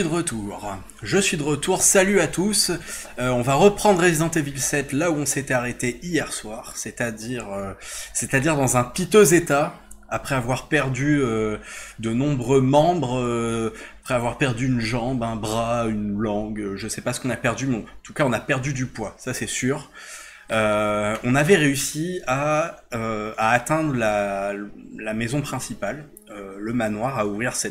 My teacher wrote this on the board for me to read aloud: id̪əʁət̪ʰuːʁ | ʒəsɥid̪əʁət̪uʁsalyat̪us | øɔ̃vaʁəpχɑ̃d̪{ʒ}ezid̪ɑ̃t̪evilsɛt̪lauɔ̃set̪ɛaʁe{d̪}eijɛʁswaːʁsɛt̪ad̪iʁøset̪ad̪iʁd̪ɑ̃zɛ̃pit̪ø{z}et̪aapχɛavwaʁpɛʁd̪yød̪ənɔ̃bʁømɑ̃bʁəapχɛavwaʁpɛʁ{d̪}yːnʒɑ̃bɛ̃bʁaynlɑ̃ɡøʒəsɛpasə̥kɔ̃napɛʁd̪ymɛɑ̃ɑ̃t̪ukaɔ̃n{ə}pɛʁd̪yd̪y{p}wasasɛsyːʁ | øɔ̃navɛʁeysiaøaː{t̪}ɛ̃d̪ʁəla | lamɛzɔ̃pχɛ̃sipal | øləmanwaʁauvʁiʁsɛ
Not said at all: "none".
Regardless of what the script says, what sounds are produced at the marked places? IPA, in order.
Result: ʁ, t̪, z, d̪, a, p, t̪

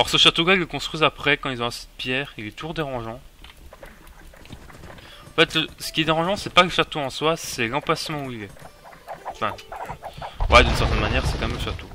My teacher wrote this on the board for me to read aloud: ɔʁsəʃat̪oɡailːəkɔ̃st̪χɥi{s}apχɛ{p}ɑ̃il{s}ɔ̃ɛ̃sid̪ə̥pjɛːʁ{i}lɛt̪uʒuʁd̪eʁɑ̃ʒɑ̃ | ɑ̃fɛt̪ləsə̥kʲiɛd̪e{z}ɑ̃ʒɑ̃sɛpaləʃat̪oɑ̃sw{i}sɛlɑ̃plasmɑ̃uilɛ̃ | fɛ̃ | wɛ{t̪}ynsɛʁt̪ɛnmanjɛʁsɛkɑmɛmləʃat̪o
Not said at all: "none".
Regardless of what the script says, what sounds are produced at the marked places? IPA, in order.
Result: z, k, z, i, ʁ, a, d̪

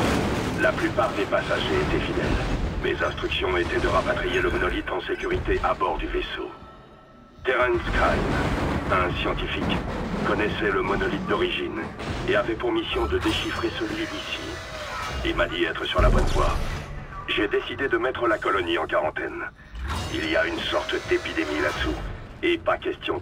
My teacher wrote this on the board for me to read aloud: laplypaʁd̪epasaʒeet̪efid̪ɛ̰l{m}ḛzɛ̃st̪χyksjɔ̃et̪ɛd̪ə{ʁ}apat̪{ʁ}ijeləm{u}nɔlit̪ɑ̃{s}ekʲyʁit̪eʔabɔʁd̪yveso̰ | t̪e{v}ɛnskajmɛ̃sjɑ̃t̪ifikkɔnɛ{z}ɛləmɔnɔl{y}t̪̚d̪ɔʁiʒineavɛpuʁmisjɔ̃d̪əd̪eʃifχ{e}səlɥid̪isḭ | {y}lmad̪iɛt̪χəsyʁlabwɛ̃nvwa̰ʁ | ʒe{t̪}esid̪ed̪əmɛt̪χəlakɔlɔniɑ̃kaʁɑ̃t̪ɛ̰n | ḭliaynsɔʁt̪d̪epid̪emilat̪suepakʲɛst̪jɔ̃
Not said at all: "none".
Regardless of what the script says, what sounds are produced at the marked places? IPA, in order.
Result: m, ʁ, χ, ɔ, s, ʁ, s, i, e, i, d̪

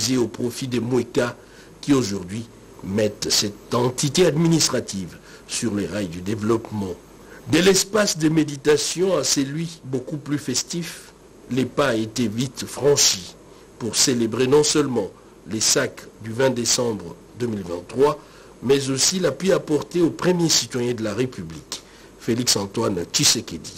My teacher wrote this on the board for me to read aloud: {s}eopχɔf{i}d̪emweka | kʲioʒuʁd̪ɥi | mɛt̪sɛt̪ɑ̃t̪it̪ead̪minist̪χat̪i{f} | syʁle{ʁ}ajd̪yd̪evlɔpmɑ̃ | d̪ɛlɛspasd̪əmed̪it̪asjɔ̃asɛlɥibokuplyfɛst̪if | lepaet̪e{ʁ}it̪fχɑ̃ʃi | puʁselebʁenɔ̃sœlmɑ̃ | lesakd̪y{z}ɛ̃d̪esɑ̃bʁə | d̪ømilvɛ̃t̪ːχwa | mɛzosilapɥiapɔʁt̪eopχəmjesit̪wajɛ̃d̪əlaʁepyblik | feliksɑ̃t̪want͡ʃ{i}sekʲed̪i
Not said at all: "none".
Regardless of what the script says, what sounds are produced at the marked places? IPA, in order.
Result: z, i, v, ʁ, v, v, i

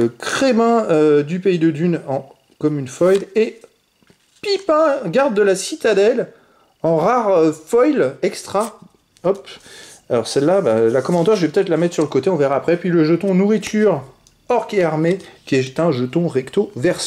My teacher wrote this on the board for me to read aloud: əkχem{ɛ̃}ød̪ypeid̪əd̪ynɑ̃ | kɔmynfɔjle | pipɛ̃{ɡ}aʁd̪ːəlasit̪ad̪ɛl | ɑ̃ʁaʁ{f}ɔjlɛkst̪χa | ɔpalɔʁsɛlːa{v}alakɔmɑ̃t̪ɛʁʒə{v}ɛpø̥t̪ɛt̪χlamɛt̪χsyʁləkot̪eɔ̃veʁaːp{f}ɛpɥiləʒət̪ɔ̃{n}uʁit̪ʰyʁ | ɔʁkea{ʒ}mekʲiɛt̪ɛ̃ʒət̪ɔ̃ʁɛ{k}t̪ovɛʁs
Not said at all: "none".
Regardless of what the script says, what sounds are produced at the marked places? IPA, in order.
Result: ɛ̃, ɡ, f, b, v, χ, n, ʁ, k

